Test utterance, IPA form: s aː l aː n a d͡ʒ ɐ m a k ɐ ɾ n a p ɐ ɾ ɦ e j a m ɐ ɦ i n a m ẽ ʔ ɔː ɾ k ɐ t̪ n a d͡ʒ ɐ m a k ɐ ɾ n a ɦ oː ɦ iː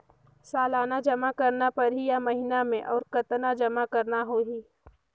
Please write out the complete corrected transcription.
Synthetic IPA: s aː l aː n a d͡ʒ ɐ m a k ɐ ɾ n a p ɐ ɾ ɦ i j a m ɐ ɦ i n a m ẽ ʔ ɔː ɾ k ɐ t̪ n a d͡ʒ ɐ m a k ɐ ɾ n a ɦ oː ɦ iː